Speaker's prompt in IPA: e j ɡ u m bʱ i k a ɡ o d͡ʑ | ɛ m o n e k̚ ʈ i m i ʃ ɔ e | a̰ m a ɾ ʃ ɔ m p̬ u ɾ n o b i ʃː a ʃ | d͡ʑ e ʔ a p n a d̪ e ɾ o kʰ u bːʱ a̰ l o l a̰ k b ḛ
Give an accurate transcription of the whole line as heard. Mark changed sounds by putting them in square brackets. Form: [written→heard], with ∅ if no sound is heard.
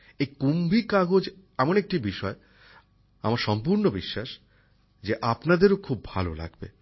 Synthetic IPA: e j [ɡ→k] u m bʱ i k a ɡ o d͡ʑ | ɛ m o n e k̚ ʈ i [m→b] i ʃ ɔ e | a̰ m a ɾ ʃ ɔ m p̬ u ɾ n o b i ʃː a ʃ | d͡ʑ e ʔ a p n a d̪ e ɾ o kʰ u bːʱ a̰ l o l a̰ [k→ɡ] b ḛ

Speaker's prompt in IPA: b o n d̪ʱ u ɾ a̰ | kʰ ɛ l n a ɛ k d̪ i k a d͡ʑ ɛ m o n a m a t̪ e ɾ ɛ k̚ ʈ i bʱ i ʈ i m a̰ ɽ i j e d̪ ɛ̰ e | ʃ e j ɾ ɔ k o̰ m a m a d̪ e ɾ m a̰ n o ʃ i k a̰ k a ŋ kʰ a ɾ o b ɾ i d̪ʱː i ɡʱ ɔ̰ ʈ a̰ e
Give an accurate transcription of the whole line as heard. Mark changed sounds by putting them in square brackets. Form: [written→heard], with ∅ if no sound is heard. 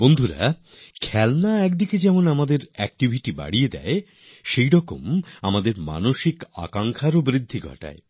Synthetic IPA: b o n d̪ʱ u ɾ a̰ | kʰ ɛ l n a ɛ k d̪ i k [a→e] d͡ʑ ɛ m o n a m a [t̪→d̪] e ɾ ɛ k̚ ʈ i bʱ i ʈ i [m→b] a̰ ɽ i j e d̪ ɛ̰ e | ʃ e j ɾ ɔ k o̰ m a m a d̪ e ɾ m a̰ n o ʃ i k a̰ k a ŋ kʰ a ɾ o b ɾ i d̪ʱː i ɡʱ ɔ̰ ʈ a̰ e

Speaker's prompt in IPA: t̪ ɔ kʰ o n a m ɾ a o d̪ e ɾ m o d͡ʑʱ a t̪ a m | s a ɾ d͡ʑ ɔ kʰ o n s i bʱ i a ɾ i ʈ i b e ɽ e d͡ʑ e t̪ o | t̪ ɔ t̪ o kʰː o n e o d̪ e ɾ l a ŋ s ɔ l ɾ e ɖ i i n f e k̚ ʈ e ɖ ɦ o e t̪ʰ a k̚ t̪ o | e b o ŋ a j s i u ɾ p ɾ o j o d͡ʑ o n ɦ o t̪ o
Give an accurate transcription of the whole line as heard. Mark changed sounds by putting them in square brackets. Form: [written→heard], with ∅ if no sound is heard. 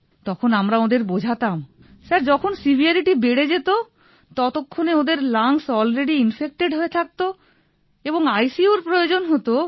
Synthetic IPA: t̪ ɔ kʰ o n a m ɾ a o d̪ e ɾ [m→b] o d͡ʑʱ a t̪ a m | s a ɾ d͡ʑ ɔ kʰ o n s i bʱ i a ɾ i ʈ i b e ɽ e d͡ʑ e t̪ o | t̪ ɔ t̪ o kʰː o n e o d̪ e ɾ l a ŋ s ɔ l ɾ e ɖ i i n f e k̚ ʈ e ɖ ɦ o e t̪ʰ a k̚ t̪ o | e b o ŋ a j s i u ɾ p ɾ o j o d͡ʑ o n ɦ o t̪ o

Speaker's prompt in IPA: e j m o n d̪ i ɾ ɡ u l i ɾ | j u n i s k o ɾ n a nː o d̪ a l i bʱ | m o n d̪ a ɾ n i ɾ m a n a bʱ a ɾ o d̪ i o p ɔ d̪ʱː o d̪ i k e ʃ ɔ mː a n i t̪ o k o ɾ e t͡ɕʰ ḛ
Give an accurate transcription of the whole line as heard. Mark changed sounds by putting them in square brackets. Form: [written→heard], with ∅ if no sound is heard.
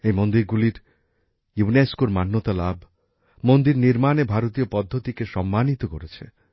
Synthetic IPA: e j m o n d̪ i ɾ ɡ u l i ɾ | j u n [i→e] s k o ɾ [n→m] a nː o [d̪→t̪] a l [i→a] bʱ | m o n d̪ [a→i] ɾ n i ɾ m a n [a→e] bʱ a ɾ o [d̪→t̪] i o p ɔ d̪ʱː o [d̪→t̪] i k e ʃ ɔ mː a n i t̪ o k o ɾ e t͡ɕʰ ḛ

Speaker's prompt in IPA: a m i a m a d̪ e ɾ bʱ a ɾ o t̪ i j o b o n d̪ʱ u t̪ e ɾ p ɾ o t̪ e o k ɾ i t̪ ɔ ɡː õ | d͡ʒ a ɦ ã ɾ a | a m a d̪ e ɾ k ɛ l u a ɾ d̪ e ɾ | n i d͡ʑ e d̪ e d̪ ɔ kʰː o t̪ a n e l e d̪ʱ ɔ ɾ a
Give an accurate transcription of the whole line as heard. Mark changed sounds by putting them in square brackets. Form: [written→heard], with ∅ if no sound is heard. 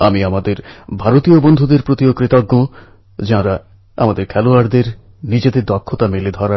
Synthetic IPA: a m i a m a d̪ e ɾ bʱ a ɾ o t̪ i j o b o n d̪ʱ u [t̪→d̪] e ɾ p ɾ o t̪ [e→i] o k ɾ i t̪ ɔ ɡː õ | d͡ʒ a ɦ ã ɾ a | a m a d̪ e ɾ [k→kʰ] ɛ l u a ɾ d̪ e ɾ | n i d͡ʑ e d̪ e d̪ ɔ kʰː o t̪ a [n→m] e l e d̪ʱ ɔ ɾ a

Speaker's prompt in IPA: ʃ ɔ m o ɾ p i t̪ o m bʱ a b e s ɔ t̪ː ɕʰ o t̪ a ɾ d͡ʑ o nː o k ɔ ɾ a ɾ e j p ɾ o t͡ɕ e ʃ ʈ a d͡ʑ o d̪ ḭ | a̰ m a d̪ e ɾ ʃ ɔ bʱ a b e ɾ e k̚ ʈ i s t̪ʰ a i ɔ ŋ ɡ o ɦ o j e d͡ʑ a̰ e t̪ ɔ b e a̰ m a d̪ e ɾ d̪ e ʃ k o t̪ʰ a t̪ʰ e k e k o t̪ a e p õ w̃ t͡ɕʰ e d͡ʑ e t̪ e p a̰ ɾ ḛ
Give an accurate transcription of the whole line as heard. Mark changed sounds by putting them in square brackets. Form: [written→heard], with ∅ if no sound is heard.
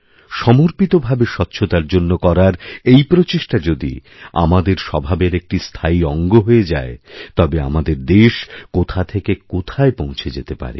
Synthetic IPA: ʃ ɔ m o ɾ p i t̪ o [m→∅] bʱ a b e [s→ʃ] ɔ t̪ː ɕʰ o t̪ a ɾ d͡ʑ o nː o k ɔ ɾ a ɾ e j p ɾ o t͡ɕ e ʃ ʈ a d͡ʑ o d̪ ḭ | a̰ m a d̪ e ɾ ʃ ɔ bʱ a b e ɾ e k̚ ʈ i s t̪ʰ a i ɔ ŋ ɡ o ɦ o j e d͡ʑ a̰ e t̪ ɔ b e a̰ m a d̪ e ɾ d̪ e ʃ k o t̪ʰ a t̪ʰ e k e k o [t̪→t̪ʰ] a e p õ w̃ t͡ɕʰ e d͡ʑ e t̪ e p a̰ ɾ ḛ

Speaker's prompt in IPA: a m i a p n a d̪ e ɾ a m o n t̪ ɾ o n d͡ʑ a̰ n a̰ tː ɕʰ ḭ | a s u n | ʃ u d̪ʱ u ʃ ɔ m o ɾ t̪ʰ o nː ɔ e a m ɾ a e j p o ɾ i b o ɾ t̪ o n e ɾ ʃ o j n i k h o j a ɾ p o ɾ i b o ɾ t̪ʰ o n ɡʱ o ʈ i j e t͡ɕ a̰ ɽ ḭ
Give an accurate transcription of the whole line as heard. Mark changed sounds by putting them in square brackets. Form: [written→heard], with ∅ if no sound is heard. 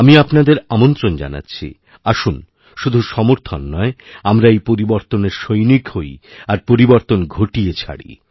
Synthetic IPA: a m i a p n a d̪ e ɾ a m o n t̪ ɾ o n d͡ʑ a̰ n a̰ tː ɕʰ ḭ | a [s→ʃ] u n | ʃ u d̪ʱ u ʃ ɔ m o ɾ t̪ʰ o nː ɔ e a m ɾ a e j p o ɾ i b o ɾ t̪ o n e ɾ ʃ o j n i k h o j a ɾ p o ɾ i b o ɾ [t̪ʰ→t̪] o n ɡʱ o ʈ i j e [t͡ɕ→t͡ɕʰ] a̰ ɽ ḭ

